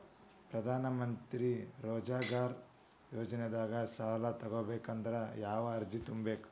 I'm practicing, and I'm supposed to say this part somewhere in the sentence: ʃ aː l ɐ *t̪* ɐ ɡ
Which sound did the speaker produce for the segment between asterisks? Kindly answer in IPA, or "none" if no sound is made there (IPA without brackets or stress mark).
t̪